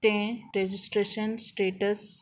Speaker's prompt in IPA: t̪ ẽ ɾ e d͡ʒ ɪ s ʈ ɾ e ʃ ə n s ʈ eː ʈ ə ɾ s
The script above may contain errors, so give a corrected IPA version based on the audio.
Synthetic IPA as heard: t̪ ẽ ɾ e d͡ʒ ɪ s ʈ ɾ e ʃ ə n s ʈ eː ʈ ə s